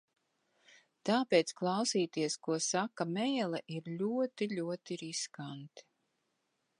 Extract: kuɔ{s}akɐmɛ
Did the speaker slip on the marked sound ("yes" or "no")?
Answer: no